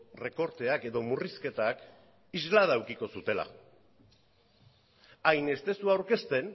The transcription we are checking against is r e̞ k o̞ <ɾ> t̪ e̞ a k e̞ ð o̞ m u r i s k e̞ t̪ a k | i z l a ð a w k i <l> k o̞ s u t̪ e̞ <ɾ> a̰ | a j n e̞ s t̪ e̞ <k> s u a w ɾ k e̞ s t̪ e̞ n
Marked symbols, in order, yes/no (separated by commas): yes, no, no, no